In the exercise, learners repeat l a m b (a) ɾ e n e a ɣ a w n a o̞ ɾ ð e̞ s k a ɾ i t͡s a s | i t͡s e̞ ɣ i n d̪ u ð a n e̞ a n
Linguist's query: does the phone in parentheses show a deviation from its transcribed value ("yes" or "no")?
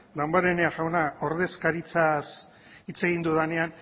no